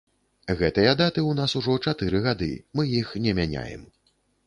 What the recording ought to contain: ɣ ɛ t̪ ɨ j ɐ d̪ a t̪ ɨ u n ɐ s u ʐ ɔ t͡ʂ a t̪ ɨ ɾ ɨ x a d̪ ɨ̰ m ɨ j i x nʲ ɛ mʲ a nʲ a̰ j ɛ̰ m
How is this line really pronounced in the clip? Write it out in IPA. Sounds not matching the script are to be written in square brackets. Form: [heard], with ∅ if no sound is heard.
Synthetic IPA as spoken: ɣ ɛ t̪ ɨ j ɐ d̪ a t̪ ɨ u n [a] s u ʐ ɔ t͡ʂ a t̪ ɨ ɾ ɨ [ɣ] a d̪ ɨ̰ m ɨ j i x nʲ ɛ mʲ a nʲ a̰ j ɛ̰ m